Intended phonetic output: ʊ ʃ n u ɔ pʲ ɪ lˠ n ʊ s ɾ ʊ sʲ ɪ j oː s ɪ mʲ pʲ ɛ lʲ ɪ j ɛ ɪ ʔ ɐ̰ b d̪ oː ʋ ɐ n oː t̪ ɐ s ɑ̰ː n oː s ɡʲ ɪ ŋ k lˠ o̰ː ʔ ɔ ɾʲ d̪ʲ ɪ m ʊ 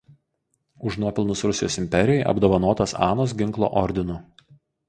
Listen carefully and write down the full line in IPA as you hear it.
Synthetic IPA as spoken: ʊ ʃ n u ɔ pʲ ɪ lˠ n ʊ s ɾ ʊ sʲ ɪ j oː s ɪ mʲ pʲ ɛ ɾʲ ɪ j ɛ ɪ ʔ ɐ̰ b d̪ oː ʋ ɐ n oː t̪ ɐ s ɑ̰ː n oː s ɡʲ ɪ ŋ k lˠ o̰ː ʔ ɔ ɾʲ d̪ʲ ɪ n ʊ